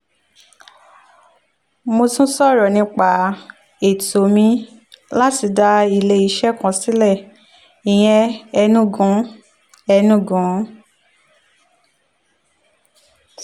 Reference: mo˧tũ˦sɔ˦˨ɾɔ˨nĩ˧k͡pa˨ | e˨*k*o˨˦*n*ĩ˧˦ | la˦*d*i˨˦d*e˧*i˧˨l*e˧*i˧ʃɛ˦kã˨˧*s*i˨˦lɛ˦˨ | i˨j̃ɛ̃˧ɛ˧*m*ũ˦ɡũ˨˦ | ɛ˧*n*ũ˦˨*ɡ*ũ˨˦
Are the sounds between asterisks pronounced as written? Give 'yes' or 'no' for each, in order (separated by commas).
no, no, no, no, yes, yes, no, yes, yes